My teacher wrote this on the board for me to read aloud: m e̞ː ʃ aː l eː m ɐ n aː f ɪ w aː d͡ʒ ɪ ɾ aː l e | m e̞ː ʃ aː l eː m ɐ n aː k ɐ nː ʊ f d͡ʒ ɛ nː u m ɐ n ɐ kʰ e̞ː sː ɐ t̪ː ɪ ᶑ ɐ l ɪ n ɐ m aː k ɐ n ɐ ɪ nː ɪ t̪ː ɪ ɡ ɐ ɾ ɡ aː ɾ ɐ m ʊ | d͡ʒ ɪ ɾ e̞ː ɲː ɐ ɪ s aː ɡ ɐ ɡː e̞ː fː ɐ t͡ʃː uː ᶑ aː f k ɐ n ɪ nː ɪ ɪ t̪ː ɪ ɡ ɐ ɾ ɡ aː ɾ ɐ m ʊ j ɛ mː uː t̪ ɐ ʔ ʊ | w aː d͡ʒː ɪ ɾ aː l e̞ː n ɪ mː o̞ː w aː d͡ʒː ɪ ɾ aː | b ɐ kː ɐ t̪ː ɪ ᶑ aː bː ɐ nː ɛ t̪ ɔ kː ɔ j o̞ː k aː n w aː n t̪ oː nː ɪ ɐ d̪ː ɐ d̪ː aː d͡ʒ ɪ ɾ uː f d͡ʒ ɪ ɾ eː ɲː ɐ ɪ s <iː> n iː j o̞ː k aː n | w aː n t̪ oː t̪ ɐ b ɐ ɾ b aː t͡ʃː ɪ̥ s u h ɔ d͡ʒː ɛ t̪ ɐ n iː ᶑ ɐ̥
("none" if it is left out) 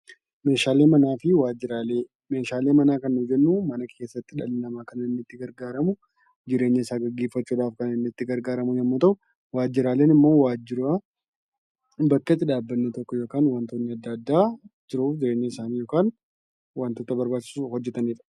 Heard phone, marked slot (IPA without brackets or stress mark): aː